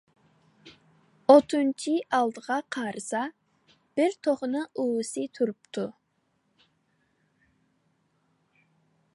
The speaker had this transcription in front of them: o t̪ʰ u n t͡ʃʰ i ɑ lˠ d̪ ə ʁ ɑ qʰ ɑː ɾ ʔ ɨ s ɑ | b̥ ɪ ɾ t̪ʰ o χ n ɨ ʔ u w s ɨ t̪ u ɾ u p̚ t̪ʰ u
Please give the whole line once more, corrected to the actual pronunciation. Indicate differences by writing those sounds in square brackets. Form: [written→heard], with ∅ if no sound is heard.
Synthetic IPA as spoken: o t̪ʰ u n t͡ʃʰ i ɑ lˠ d̪ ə ʁ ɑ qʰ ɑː ɾ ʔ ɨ s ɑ | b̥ ɪ ɾ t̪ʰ o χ n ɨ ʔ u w s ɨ [t̪→t̪ʰ] u ɾ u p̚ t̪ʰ u